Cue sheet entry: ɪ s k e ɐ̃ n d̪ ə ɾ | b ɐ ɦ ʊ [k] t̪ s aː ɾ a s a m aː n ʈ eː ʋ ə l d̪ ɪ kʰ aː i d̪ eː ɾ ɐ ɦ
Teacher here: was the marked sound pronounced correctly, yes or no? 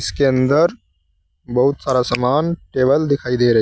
no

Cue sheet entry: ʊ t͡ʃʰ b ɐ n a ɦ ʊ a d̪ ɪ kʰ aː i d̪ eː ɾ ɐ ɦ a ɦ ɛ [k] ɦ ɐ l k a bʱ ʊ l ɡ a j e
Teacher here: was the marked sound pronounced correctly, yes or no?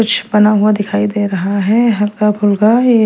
no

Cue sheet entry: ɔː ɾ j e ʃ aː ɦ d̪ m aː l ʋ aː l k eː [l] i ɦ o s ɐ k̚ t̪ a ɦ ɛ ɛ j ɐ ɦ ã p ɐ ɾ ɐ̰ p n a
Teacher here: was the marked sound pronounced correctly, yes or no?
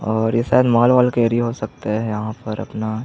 no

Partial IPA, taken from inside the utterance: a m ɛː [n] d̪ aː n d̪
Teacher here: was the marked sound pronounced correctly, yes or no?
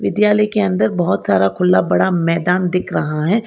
no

